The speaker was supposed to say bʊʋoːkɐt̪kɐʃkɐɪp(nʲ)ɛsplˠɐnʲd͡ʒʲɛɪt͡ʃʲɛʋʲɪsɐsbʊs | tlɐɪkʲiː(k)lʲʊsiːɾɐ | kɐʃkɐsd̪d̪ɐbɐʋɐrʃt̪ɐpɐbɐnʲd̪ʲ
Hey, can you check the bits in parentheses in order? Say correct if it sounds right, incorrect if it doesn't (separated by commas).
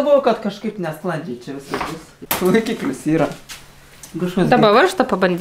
correct, correct